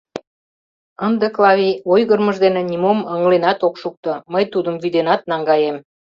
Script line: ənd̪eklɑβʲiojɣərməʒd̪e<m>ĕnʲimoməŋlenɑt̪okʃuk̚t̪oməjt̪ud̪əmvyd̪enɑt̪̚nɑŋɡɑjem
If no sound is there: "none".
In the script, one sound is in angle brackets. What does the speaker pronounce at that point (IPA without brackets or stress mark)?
n